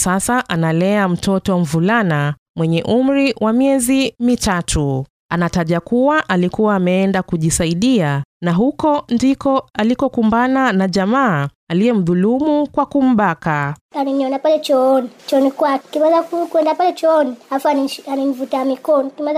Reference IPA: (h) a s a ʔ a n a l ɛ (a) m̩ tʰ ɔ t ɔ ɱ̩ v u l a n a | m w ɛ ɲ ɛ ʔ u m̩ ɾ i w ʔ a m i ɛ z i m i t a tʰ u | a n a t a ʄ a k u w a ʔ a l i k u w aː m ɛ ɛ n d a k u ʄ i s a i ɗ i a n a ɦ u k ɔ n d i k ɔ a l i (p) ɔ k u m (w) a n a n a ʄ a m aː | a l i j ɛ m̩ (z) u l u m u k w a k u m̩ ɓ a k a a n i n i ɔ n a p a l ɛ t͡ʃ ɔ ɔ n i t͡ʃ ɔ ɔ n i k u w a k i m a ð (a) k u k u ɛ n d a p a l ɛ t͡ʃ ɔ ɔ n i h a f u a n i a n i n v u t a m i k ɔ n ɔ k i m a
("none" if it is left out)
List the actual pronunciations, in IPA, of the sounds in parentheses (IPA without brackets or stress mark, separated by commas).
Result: s, a, k, b, ð, a